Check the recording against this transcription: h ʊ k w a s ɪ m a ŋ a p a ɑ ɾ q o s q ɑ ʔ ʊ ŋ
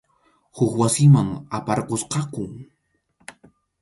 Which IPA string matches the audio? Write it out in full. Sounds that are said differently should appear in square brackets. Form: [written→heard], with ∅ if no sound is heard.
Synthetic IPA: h ʊ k w a s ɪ m a ŋ a p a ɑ ɾ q o s q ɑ [ʔ→k] ʊ ŋ